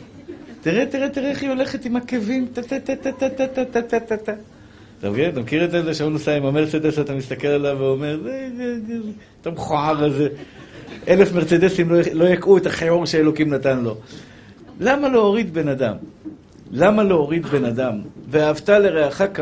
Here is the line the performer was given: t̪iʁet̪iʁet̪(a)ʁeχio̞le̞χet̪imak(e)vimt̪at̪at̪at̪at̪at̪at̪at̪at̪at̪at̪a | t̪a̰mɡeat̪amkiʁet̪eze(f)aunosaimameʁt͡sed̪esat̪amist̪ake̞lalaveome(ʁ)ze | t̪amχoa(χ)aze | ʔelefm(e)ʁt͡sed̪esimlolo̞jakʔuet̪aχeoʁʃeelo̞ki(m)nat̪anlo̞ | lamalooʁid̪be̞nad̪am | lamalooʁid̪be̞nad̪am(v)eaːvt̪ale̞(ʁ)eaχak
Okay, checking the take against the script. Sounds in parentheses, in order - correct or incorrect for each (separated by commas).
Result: incorrect, correct, incorrect, correct, incorrect, correct, correct, correct, correct